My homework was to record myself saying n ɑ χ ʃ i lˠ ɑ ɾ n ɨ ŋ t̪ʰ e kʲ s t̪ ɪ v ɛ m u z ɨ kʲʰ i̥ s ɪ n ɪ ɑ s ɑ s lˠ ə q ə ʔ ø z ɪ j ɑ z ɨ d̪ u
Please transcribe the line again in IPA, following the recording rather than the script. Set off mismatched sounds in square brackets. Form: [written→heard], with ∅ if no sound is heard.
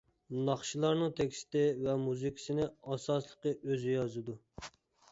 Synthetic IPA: n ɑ χ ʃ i lˠ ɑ ɾ n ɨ ŋ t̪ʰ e kʲ s t̪ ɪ v ɛ m u z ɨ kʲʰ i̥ s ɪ n ɪ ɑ s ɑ s lˠ ə q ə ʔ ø z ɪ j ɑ z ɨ d̪ u